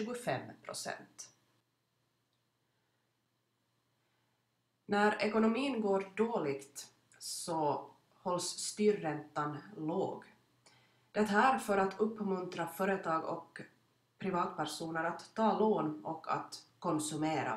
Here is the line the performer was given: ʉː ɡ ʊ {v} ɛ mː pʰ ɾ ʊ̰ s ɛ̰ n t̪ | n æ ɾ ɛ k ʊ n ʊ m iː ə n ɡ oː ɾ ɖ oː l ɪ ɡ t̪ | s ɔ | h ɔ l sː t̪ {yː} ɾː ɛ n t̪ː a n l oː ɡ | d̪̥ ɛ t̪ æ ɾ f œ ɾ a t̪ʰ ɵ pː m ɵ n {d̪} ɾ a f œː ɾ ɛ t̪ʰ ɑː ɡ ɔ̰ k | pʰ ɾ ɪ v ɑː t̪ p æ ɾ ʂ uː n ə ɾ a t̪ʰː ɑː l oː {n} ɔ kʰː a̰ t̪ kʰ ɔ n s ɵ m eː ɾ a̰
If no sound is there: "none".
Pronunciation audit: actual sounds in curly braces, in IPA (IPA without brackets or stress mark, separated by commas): f, yː, t̪, n